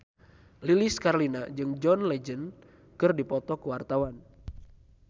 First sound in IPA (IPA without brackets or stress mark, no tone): l